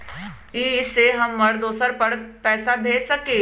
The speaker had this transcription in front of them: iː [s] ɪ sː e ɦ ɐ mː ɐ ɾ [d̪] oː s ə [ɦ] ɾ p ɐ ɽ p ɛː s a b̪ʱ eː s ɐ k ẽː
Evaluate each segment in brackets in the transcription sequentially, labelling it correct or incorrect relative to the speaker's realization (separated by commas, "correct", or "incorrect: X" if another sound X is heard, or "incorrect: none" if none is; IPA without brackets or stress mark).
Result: incorrect: none, correct, incorrect: none